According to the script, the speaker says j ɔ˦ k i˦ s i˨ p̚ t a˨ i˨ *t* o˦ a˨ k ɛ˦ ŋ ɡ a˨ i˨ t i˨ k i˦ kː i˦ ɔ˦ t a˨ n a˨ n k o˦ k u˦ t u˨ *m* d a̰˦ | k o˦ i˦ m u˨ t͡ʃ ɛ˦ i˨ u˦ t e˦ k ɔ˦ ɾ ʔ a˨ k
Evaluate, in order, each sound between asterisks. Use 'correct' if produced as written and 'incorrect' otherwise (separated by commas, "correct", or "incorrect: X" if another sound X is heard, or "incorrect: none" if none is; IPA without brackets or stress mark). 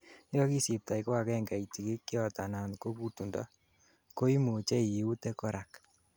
incorrect: k, incorrect: n